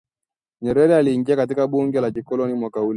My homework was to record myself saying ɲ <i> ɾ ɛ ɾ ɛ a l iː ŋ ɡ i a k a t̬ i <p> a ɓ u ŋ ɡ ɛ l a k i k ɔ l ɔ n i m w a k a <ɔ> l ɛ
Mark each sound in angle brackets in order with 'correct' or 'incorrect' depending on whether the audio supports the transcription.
incorrect, incorrect, incorrect

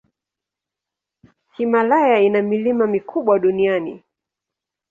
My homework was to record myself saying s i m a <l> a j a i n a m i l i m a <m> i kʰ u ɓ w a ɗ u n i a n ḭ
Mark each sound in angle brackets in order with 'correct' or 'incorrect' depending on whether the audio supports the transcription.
correct, correct

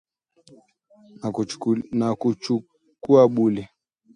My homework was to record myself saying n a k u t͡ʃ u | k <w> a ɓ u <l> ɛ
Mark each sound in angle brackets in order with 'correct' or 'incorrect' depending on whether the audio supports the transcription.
incorrect, correct

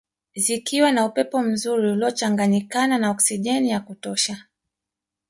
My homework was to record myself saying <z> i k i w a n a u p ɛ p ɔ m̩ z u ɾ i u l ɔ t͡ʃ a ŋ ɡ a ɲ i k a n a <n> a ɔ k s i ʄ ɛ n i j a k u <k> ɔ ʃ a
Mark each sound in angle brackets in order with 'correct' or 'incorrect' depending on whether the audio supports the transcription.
correct, correct, incorrect

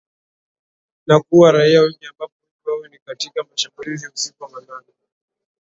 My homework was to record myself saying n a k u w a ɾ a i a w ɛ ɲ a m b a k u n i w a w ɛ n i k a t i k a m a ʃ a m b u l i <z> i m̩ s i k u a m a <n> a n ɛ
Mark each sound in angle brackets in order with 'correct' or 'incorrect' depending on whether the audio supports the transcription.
correct, correct

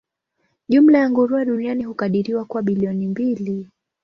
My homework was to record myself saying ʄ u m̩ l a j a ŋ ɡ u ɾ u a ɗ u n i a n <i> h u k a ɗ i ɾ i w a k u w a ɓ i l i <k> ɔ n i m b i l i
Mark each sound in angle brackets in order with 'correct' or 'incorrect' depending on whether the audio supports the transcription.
correct, incorrect

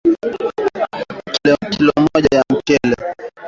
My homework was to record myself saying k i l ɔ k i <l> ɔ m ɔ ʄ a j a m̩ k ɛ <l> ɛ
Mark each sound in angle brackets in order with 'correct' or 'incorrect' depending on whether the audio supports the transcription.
correct, correct

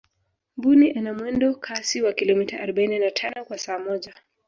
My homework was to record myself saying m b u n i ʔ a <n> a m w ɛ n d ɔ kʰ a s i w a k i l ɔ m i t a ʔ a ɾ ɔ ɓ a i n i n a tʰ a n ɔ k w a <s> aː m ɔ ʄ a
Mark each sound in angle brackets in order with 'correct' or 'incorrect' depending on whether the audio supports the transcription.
correct, correct

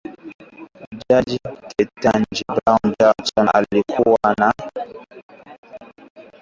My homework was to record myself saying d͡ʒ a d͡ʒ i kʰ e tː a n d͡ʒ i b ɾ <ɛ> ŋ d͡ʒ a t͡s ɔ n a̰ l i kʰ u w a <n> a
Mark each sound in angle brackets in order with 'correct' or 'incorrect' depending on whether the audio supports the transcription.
incorrect, correct

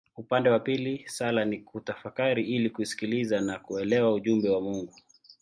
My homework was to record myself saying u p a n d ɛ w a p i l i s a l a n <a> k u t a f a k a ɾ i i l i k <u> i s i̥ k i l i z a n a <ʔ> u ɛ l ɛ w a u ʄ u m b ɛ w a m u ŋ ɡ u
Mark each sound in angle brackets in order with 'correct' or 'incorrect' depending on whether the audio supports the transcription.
incorrect, correct, incorrect

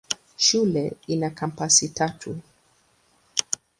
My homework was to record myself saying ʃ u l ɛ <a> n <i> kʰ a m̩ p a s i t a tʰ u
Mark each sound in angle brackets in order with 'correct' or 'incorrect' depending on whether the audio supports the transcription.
incorrect, incorrect

